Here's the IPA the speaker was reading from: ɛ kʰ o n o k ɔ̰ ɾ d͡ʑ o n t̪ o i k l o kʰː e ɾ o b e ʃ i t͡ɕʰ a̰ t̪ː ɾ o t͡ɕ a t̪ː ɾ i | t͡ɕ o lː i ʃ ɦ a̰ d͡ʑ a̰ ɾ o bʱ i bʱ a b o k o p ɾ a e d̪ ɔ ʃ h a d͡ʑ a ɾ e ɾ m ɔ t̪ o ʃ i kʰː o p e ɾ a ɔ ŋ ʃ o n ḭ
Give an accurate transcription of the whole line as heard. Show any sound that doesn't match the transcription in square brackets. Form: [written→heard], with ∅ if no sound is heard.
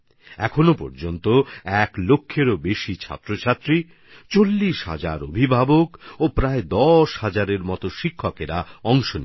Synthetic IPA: ɛ kʰ o n o [k→p] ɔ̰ ɾ d͡ʑ o n t̪ o [i→ɛ] k l o kʰː e ɾ o b e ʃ i t͡ɕʰ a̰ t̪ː ɾ o [t͡ɕ→t͡ɕʰ] a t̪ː ɾ i | t͡ɕ o lː i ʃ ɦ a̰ d͡ʑ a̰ ɾ o bʱ i bʱ a b o k o p ɾ a e d̪ ɔ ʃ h a d͡ʑ a ɾ e ɾ m ɔ t̪ o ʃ i kʰː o [p→k] e ɾ a ɔ ŋ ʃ o n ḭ